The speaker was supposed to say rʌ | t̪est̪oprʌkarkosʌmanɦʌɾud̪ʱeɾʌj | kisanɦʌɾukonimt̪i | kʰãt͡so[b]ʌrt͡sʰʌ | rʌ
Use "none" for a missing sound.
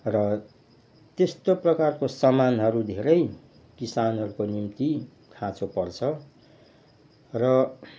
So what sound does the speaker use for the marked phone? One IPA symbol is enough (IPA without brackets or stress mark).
p